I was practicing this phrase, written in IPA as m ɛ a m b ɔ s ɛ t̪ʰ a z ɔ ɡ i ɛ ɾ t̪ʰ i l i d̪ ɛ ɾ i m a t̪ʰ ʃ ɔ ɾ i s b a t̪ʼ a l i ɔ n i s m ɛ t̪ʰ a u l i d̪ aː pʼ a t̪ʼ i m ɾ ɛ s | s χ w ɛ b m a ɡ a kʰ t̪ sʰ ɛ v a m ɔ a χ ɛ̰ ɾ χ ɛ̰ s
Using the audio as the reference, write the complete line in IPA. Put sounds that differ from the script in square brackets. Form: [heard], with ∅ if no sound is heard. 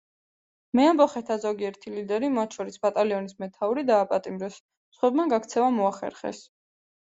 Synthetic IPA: m ɛ a m b ɔ [χ] ɛ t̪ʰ a z ɔ ɡ i ɛ ɾ t̪ʰ i l i d̪ ɛ ɾ i m a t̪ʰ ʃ ɔ ɾ i s b a t̪ʼ a l i ɔ n i s m ɛ t̪ʰ a u [ɾ] i d̪ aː pʼ a t̪ʼ i m ɾ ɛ s | s χ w ɛ b m a ɡ a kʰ t̪ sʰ ɛ v a m ɔ a χ ɛ̰ ɾ χ ɛ̰ s